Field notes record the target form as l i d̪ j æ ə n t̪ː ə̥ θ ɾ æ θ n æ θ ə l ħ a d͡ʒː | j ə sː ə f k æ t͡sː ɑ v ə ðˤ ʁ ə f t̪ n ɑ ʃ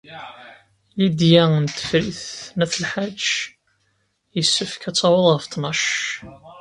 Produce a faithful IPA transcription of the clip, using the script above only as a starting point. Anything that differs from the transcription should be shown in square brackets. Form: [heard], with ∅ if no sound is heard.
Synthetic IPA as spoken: l i d̪ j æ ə n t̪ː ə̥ [f] ɾ [i] θ n æ θ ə l ħ a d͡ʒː | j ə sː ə f k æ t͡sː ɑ [w] ə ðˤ ʁ ə f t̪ n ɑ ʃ